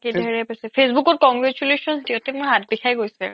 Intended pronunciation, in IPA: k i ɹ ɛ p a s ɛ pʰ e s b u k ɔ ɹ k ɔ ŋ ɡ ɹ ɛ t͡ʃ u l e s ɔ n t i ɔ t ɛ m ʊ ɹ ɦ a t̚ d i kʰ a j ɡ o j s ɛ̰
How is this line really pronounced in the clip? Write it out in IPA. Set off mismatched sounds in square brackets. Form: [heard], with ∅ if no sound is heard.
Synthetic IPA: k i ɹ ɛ p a s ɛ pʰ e s b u k ɔ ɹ k ɔ ŋ ɡ ɹ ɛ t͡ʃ u l e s ɔ n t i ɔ t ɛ m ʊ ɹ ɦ a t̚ [b] i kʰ a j ɡ o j s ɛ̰